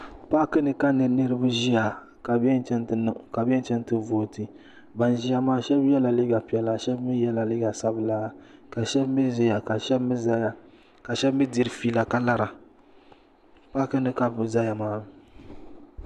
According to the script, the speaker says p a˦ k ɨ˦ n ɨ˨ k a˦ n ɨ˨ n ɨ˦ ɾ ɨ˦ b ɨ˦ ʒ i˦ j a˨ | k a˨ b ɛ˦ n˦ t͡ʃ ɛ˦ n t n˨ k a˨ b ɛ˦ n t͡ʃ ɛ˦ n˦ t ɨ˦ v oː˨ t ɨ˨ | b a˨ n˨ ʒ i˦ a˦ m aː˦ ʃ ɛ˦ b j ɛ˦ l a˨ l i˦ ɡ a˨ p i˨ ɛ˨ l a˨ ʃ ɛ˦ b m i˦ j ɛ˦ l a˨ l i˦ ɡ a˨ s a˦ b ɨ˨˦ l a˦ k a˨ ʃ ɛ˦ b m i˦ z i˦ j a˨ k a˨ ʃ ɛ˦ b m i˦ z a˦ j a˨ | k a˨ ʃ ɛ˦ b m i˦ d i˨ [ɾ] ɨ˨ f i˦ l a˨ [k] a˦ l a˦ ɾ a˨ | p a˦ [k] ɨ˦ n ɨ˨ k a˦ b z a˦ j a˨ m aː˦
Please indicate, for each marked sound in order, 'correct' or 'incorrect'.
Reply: correct, correct, correct

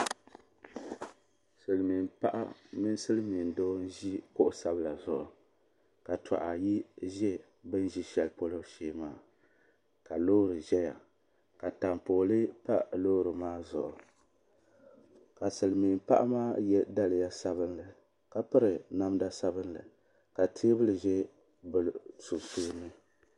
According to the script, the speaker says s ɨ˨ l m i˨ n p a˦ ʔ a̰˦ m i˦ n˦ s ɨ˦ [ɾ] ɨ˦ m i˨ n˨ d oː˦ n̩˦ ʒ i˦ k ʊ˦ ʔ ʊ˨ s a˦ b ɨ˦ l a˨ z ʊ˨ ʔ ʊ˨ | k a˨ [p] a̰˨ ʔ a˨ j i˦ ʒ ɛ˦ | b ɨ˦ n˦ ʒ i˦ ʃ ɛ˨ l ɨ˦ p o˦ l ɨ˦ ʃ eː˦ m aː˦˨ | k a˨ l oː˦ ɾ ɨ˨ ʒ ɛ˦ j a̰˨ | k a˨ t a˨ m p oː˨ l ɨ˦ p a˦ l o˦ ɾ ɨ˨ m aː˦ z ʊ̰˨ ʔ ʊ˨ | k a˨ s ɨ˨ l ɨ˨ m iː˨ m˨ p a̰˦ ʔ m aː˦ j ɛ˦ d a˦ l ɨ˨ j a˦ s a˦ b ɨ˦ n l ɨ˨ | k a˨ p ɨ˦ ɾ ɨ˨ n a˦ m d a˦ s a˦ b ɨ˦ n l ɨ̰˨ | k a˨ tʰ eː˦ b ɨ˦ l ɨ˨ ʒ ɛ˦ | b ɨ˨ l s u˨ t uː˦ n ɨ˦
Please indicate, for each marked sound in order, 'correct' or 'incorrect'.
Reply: incorrect, incorrect

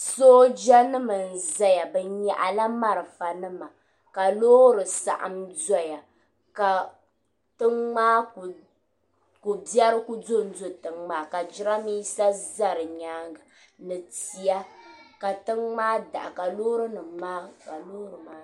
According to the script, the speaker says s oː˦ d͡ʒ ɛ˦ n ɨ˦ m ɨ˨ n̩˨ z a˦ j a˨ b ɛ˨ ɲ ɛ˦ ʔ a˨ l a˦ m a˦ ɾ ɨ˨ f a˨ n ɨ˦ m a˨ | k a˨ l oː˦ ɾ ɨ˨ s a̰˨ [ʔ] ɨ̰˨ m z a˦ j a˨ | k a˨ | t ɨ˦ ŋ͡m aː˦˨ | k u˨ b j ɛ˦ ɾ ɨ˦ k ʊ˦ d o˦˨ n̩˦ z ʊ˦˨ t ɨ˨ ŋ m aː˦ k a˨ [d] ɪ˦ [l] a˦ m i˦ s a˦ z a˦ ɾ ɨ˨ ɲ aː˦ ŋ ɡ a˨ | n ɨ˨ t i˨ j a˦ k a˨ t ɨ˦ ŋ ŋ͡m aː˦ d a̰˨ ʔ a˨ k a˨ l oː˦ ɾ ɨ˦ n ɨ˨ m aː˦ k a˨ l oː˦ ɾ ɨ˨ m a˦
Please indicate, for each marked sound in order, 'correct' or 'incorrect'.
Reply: correct, incorrect, incorrect

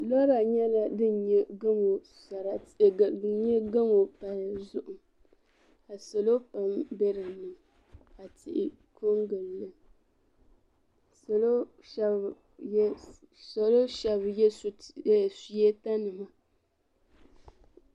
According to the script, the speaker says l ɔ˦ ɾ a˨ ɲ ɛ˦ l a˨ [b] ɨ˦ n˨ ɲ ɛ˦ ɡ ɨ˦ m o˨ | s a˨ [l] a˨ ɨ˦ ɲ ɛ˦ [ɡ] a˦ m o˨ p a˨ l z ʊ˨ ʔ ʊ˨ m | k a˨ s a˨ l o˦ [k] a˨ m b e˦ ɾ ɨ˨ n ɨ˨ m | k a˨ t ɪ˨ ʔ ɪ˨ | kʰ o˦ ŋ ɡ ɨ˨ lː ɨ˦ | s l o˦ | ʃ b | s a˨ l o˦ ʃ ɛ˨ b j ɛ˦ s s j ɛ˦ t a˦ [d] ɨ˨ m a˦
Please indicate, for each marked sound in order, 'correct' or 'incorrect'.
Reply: incorrect, incorrect, correct, incorrect, incorrect

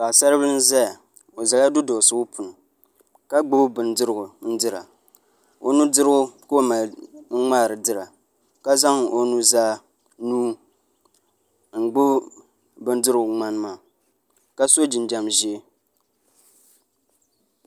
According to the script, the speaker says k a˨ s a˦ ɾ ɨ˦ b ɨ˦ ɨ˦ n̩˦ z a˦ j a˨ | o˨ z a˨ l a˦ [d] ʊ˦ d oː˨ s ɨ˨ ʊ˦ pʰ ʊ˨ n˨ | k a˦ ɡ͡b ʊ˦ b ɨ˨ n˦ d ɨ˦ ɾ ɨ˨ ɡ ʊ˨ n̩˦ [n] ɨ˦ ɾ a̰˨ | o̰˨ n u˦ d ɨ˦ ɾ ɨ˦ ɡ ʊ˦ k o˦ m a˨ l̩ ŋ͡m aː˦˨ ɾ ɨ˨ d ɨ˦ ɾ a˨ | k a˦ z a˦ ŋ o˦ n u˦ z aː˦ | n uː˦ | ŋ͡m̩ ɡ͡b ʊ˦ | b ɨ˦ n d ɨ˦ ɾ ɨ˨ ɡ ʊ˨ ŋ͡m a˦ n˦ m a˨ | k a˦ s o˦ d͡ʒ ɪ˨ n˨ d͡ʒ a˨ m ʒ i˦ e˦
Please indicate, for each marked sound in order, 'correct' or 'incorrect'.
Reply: correct, incorrect

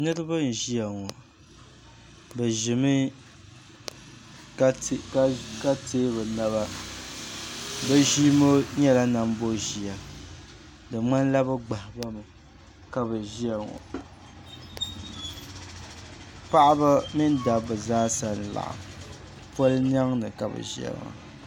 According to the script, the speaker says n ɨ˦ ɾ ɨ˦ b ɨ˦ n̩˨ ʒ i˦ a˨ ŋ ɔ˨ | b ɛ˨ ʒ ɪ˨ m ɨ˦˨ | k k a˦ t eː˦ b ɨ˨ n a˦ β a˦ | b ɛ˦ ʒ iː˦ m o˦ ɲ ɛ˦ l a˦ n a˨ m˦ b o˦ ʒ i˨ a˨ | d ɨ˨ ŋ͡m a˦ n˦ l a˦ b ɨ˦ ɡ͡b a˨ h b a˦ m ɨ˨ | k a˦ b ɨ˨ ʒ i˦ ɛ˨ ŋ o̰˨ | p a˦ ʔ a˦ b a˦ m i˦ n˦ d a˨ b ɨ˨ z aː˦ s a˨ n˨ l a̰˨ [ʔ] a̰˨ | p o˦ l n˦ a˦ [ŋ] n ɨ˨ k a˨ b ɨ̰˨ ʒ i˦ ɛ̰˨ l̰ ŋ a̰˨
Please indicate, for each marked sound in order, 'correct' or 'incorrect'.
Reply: correct, correct

